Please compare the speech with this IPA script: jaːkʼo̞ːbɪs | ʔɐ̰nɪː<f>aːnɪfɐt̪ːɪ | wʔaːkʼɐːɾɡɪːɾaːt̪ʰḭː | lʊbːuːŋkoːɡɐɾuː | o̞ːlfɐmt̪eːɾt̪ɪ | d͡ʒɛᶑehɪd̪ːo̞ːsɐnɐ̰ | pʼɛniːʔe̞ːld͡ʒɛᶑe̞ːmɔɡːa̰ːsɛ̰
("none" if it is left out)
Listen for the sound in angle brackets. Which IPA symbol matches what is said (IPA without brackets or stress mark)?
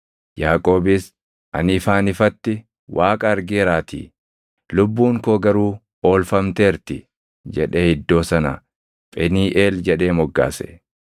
f